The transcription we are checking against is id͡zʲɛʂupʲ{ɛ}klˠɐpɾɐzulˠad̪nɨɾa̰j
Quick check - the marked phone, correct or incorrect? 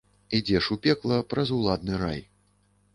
correct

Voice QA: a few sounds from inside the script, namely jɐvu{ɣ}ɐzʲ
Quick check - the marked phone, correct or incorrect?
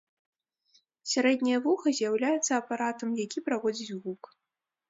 incorrect: x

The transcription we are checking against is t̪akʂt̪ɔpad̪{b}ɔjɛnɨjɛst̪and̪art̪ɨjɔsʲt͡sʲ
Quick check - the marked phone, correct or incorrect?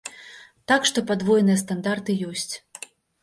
incorrect: v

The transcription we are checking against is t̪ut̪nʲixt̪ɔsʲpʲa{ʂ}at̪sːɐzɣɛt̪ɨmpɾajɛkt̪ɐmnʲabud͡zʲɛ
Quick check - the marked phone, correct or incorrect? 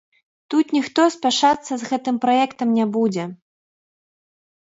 correct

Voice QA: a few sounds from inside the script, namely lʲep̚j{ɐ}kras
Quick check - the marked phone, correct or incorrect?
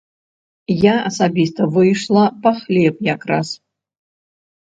incorrect: a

